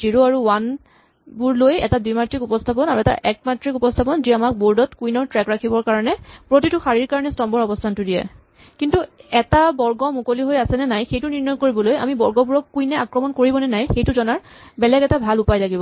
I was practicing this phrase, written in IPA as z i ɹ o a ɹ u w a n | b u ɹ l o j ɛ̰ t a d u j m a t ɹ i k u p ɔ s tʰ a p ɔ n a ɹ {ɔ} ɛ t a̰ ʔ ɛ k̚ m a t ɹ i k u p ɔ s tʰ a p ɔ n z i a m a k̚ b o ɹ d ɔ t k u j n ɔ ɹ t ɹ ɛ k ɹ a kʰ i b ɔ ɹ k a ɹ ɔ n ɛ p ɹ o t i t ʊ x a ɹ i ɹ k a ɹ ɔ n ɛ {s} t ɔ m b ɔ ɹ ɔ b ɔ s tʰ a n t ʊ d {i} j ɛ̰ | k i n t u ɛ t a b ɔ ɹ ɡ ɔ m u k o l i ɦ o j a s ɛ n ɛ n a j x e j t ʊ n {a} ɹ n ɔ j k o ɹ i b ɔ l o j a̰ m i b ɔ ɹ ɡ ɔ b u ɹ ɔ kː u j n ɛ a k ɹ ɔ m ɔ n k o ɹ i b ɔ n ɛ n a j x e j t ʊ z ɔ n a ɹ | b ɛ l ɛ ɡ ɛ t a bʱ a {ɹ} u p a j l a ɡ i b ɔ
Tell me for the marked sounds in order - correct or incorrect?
incorrect, correct, correct, incorrect, incorrect

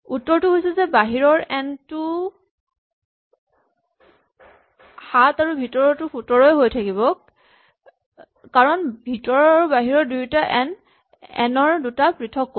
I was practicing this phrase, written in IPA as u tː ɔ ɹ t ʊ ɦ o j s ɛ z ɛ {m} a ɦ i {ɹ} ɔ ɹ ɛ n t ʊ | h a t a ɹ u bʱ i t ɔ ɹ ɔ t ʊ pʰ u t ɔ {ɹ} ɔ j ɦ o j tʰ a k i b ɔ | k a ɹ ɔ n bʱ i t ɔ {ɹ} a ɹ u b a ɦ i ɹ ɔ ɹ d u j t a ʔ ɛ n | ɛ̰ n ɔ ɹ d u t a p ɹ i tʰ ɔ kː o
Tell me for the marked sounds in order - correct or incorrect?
incorrect, correct, correct, correct

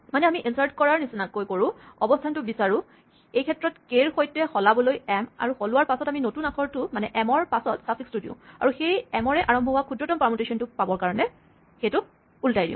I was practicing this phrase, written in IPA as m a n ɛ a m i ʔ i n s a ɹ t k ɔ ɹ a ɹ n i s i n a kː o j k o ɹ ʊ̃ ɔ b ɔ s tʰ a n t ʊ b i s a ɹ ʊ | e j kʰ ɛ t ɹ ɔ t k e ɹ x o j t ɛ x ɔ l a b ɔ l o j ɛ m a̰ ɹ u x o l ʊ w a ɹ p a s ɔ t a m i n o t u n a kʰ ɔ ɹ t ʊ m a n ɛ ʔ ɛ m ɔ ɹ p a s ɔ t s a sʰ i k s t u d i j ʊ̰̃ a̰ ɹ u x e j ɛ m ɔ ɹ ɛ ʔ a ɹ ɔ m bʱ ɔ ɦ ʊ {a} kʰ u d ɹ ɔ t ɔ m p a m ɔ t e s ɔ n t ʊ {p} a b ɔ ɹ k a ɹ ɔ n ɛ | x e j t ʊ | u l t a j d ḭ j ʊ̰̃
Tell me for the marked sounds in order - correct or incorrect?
correct, correct

